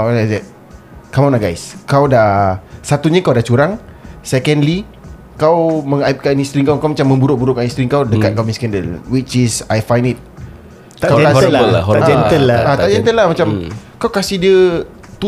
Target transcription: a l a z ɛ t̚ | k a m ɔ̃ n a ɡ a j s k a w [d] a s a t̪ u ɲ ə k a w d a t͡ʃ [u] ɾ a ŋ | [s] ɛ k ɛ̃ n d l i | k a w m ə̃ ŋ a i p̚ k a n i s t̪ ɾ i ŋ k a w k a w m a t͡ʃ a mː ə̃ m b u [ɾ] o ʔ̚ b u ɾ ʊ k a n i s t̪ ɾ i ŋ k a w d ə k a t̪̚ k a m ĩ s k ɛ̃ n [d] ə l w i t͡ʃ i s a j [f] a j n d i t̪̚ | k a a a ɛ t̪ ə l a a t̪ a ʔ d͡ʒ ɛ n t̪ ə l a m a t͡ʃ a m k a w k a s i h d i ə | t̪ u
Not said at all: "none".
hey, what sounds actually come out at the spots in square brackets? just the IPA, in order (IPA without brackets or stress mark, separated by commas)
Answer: d, u, s, ɾ, d, f